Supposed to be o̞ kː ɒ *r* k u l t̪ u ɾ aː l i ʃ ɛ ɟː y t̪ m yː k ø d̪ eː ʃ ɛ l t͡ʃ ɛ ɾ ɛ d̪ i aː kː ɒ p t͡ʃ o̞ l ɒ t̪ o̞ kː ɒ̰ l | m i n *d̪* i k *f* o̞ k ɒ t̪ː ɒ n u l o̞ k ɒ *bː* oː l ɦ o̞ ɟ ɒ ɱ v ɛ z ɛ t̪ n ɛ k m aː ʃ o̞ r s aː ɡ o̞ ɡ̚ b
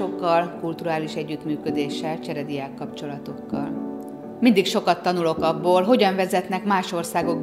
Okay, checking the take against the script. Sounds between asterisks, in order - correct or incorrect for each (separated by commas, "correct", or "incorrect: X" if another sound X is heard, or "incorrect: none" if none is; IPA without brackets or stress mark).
incorrect: l, correct, incorrect: ʃ, correct